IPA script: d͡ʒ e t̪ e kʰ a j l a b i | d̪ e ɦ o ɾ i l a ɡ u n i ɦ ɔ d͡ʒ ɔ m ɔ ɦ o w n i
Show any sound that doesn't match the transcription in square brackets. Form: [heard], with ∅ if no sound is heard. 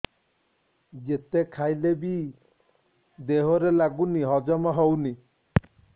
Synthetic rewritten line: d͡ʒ e t̪ e kʰ a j l [e] b i | d̪ e ɦ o ɾ [e] l a ɡ u n i ɦ ɔ d͡ʒ ɔ m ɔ ɦ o w n i